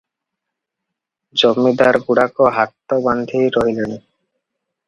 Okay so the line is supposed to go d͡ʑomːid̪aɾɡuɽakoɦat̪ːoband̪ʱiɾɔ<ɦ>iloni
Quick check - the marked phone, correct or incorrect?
correct